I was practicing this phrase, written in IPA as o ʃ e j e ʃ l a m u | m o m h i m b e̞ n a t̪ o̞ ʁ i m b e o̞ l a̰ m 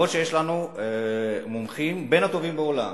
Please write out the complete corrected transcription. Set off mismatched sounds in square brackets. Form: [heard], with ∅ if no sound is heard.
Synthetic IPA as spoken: o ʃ e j e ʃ l a [n] u | m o m [χ] i m b e̞ n a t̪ o̞ [v] i m b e o̞ l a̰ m